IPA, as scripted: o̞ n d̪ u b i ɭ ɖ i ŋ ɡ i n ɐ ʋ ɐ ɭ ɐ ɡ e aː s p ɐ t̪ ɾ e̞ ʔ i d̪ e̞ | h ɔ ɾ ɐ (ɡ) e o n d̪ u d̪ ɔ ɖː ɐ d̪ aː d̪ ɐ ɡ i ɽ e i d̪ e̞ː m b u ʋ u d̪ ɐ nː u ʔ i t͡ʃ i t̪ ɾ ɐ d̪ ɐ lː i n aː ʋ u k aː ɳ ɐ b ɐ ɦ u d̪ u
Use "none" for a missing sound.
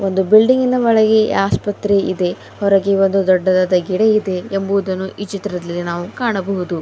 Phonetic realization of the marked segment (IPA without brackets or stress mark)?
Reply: ɡ